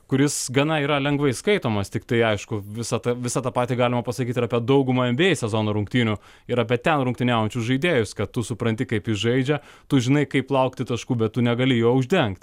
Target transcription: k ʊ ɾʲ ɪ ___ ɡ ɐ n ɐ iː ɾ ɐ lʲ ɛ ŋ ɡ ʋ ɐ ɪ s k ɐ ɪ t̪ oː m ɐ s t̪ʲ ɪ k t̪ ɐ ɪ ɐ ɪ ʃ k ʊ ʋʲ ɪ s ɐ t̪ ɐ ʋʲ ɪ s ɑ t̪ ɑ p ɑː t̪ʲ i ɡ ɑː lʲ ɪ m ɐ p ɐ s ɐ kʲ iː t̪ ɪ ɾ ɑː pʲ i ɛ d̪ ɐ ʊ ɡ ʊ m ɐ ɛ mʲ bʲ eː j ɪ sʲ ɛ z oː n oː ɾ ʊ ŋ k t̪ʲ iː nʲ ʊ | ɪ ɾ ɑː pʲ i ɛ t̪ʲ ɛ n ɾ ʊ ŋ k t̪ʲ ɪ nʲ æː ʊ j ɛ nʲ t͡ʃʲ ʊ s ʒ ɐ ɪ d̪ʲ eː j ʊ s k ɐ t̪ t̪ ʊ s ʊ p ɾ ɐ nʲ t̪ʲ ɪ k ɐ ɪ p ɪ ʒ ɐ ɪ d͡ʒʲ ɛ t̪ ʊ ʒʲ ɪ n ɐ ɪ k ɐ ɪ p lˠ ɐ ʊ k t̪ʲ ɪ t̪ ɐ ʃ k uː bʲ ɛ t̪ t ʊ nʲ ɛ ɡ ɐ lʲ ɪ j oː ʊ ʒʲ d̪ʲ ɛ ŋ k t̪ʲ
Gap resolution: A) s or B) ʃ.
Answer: A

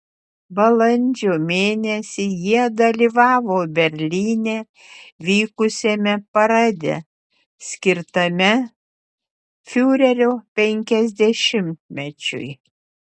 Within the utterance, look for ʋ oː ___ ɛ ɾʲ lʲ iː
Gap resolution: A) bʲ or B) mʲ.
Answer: A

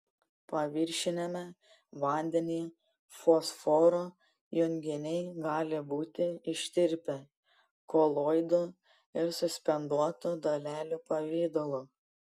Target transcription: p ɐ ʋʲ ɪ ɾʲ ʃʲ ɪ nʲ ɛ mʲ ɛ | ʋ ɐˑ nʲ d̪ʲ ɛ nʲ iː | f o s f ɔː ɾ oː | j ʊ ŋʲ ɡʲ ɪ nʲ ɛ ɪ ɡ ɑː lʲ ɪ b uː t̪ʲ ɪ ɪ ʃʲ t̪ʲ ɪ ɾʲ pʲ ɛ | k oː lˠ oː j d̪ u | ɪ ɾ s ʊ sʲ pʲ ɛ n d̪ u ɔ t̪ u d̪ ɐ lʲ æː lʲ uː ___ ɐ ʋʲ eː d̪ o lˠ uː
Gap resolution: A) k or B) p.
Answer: B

